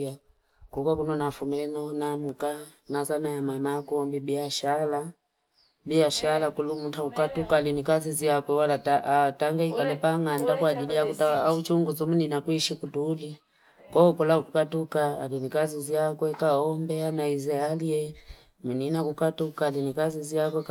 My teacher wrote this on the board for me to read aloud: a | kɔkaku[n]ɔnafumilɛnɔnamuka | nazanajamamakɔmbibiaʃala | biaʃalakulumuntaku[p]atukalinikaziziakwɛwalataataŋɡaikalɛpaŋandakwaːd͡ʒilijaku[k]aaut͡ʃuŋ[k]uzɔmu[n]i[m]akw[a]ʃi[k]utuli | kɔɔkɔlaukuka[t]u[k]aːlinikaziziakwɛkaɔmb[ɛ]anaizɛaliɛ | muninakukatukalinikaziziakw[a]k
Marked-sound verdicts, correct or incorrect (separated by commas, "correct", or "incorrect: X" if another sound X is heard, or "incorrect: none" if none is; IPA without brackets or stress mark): correct, incorrect: k, incorrect: t, incorrect: ɡ, correct, incorrect: n, incorrect: i, correct, correct, correct, correct, incorrect: ɛ